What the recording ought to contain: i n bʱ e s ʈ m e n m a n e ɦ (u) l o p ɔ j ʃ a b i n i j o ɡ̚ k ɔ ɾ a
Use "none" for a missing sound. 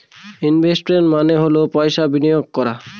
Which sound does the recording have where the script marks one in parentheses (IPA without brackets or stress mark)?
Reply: o